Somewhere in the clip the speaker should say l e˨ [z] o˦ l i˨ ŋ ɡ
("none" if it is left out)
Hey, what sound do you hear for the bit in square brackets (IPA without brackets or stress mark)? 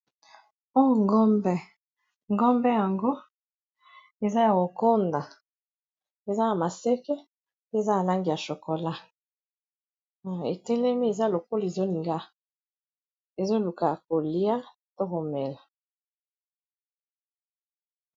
z